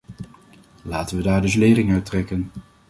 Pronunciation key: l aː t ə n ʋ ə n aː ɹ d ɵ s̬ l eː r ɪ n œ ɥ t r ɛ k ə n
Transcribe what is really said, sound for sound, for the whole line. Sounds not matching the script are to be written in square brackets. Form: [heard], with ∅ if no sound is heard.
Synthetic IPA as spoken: l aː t ə n ʋ ə [d] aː ɹ d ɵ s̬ l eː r ɪ [ŋ] œ ɥ t r ɛ k ə n